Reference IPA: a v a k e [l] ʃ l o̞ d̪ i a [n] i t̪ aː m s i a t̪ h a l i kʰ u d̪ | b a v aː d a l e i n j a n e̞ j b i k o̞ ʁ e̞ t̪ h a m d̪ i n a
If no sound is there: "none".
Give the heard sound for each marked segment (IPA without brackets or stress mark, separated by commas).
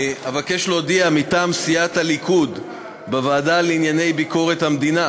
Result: none, m